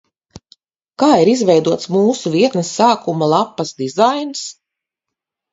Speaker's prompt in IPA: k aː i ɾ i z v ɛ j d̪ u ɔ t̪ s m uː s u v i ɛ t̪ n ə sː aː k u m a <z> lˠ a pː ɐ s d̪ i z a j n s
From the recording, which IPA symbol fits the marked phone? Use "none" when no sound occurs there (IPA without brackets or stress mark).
none